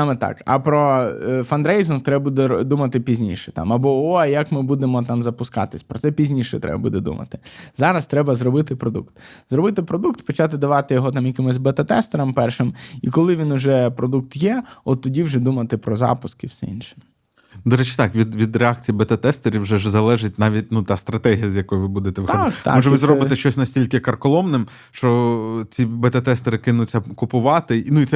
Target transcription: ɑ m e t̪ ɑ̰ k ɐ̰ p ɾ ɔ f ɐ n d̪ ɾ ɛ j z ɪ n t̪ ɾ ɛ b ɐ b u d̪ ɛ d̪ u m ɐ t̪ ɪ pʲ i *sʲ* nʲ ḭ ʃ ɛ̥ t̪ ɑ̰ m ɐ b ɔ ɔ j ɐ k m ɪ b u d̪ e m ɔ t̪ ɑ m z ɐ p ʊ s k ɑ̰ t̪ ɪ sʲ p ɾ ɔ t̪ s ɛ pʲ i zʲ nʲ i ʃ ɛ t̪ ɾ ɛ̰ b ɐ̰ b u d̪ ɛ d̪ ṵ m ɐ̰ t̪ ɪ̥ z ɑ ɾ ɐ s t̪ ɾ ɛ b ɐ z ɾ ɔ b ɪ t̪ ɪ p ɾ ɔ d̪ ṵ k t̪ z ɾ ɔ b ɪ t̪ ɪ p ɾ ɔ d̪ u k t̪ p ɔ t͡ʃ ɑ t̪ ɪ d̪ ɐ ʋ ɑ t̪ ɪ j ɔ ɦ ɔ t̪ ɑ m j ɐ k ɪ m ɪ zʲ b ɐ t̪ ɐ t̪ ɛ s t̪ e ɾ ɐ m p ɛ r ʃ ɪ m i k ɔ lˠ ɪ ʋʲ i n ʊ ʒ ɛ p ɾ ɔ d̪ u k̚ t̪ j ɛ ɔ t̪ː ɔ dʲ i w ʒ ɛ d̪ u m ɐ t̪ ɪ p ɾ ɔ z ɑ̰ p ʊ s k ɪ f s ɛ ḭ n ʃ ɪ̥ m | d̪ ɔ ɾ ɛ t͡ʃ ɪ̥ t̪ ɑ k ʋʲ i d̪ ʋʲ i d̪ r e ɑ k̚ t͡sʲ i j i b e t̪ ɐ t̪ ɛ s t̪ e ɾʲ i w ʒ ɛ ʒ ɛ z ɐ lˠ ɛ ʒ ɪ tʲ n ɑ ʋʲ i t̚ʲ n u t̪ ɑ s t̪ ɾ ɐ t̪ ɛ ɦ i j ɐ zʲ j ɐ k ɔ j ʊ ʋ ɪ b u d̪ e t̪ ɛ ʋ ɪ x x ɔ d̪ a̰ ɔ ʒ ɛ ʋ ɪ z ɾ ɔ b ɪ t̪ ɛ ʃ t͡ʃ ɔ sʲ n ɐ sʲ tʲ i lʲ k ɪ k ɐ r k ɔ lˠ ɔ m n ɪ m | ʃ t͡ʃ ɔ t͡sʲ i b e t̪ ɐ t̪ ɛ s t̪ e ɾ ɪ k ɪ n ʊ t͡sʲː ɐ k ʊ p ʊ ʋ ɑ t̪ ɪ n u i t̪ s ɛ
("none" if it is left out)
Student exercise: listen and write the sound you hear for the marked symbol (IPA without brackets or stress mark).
zʲ